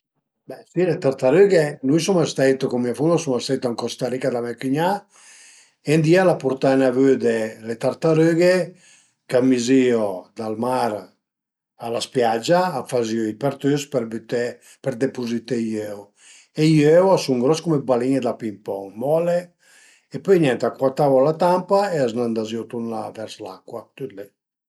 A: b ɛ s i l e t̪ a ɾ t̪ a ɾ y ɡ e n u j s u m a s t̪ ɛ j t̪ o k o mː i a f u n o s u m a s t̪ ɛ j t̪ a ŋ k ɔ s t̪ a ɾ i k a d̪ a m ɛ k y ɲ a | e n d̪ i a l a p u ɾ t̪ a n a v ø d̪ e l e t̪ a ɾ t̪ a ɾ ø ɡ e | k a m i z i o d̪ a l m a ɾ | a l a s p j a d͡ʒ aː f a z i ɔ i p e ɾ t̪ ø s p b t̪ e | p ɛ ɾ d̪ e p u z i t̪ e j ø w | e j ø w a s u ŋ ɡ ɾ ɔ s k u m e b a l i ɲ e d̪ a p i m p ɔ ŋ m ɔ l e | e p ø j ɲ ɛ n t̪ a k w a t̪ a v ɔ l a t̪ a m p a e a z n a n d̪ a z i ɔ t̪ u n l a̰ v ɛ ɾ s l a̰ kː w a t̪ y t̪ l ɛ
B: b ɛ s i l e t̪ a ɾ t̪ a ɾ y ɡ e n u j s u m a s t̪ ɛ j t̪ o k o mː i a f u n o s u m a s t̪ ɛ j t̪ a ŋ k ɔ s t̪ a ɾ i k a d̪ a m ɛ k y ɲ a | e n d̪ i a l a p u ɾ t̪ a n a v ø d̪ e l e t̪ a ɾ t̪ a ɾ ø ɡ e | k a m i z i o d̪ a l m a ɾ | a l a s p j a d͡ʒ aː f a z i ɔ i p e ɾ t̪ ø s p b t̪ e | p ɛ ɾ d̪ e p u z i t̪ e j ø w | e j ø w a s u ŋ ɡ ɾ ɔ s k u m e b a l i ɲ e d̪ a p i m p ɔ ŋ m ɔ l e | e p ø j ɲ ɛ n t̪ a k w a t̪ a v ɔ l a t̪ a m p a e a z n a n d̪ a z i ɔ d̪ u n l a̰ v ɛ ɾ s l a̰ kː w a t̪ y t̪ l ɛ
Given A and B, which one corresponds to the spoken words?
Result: A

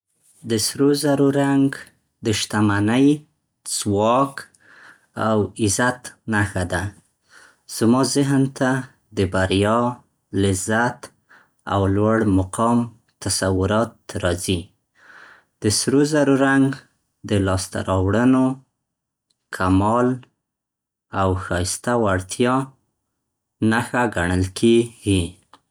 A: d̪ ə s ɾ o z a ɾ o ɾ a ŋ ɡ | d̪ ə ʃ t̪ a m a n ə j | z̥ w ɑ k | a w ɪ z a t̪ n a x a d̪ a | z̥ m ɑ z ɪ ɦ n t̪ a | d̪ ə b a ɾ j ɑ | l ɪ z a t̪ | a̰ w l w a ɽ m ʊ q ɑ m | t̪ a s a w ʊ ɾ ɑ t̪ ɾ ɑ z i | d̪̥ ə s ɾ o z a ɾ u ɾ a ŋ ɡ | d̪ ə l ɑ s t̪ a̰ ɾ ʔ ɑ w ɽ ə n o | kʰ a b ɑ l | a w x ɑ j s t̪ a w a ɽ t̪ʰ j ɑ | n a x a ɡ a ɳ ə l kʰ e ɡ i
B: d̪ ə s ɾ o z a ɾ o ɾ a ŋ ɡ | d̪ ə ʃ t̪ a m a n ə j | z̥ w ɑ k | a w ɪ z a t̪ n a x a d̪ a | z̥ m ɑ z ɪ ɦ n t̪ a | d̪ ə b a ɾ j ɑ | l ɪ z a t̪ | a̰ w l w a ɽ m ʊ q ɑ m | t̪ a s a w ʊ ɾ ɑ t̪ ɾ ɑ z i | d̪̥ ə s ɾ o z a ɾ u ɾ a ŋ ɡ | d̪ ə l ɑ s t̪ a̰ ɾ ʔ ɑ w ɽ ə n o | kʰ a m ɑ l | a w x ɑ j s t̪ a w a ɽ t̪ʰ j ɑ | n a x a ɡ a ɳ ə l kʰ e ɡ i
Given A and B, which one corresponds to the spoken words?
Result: B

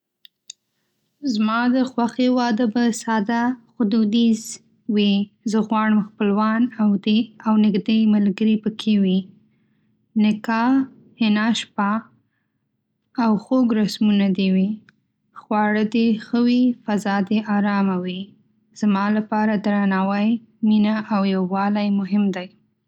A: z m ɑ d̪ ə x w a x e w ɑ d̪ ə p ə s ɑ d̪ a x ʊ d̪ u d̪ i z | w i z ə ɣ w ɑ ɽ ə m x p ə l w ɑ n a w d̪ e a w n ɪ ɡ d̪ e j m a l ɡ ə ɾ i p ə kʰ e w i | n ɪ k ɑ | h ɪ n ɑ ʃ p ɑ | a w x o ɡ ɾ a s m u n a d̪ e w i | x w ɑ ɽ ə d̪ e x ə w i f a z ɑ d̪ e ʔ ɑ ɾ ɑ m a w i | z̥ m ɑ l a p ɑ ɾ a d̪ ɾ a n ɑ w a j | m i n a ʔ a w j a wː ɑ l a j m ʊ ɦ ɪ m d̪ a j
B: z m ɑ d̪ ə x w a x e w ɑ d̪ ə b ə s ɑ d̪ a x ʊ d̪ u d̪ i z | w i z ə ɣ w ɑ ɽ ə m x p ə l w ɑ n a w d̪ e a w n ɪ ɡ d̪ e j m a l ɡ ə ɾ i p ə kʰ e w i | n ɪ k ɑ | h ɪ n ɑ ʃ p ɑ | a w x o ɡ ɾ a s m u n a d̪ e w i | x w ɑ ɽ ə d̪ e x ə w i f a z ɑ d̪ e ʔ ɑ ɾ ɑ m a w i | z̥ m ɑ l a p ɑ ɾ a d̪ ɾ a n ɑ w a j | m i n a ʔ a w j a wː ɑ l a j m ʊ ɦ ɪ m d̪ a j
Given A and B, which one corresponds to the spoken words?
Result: B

